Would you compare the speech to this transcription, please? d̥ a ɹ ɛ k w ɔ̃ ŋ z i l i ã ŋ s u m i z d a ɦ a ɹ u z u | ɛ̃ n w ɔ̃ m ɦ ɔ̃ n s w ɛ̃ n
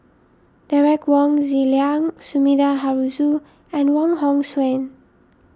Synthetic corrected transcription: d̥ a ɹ ɛ k w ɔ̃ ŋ z i l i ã ŋ s u m i d a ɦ a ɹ u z u | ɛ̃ n w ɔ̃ ŋ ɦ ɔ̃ ŋ s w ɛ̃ n